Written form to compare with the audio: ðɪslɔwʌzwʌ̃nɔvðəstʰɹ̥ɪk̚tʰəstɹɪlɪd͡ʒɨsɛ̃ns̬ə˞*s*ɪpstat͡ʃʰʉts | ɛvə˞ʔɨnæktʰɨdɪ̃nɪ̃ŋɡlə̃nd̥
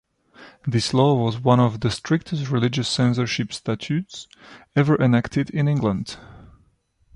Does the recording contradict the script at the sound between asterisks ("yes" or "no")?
yes